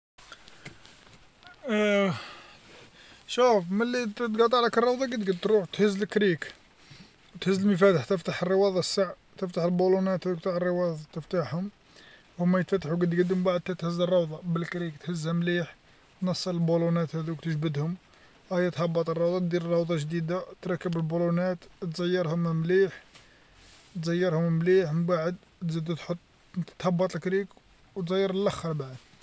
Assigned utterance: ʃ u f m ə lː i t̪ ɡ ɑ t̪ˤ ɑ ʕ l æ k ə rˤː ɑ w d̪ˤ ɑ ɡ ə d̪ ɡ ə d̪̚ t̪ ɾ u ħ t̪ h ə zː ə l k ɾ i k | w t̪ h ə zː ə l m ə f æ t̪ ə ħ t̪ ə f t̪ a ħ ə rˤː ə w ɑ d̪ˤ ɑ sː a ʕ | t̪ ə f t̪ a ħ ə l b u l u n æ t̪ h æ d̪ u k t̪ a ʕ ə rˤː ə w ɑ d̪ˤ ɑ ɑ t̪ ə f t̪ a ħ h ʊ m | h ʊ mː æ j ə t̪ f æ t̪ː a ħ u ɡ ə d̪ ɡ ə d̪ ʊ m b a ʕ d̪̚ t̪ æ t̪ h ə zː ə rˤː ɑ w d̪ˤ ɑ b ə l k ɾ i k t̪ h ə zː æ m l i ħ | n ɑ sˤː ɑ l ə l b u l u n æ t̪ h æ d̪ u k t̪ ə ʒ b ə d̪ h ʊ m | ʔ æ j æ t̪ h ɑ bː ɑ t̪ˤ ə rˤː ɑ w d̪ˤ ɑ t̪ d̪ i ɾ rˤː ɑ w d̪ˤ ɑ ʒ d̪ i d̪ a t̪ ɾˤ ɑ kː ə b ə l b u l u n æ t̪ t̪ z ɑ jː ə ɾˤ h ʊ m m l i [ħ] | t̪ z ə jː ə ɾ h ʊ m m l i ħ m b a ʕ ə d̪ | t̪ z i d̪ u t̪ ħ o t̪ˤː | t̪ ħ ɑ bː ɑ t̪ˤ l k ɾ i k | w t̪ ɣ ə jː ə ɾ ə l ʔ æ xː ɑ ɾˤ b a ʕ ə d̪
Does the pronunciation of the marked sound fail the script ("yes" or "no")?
no